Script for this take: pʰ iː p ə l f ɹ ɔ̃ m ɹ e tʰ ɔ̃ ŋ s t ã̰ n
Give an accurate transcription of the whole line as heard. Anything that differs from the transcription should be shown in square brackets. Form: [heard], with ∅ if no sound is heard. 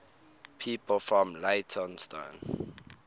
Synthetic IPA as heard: pʰ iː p ə l f ɹ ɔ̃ m [l] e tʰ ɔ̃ [n] s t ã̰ n